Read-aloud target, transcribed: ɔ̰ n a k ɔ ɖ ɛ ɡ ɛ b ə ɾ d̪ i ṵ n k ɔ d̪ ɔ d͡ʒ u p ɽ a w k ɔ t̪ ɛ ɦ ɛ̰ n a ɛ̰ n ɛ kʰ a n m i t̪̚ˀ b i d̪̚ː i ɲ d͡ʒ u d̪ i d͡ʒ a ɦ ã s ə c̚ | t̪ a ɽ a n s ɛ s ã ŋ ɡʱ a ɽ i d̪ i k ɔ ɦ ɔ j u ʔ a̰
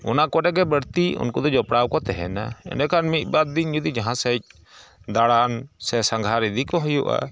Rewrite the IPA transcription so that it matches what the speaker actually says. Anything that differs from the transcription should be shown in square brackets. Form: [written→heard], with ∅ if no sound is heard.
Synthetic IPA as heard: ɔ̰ n a k ɔ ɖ ɛ ɡ ɛ b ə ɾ [d̪→t̪] i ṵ n k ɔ d̪ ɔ d͡ʒ [u→ɔ] p ɽ a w k ɔ t̪ ɛ ɦ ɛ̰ n a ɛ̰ n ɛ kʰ a n m i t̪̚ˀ b [i→a] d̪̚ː i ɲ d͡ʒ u d̪ i d͡ʒ a ɦ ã s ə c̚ | [t̪→d̪] a ɽ a n s ɛ s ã ŋ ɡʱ a [ɽ→ɾ] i d̪ i k ɔ ɦ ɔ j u ʔ a̰